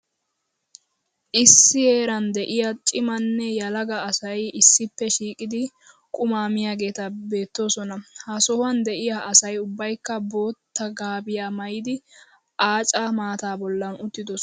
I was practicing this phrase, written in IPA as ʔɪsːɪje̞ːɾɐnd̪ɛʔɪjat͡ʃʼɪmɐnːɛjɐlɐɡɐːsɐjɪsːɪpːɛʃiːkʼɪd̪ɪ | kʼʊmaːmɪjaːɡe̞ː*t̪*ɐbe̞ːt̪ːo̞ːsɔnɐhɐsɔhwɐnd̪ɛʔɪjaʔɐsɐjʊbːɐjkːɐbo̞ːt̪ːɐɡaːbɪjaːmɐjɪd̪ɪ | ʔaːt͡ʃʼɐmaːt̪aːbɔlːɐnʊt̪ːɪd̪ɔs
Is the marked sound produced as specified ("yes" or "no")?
yes